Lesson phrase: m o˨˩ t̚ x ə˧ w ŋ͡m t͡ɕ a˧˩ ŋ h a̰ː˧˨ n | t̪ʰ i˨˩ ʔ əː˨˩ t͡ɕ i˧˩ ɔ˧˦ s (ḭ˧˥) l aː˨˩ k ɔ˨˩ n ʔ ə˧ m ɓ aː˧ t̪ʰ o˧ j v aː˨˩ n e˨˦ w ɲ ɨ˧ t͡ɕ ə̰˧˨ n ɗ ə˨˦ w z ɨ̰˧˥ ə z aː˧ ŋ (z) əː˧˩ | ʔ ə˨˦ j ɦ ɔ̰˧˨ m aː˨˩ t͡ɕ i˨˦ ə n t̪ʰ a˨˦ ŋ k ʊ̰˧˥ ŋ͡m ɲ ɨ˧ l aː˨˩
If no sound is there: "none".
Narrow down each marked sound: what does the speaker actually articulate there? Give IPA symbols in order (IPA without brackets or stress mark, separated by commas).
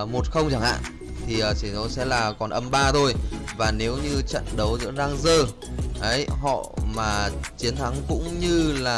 ɛ̰˧˥, z